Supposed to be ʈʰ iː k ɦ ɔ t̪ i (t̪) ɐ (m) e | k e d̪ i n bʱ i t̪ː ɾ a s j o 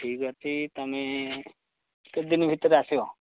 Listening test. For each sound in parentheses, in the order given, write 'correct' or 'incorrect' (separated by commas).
correct, correct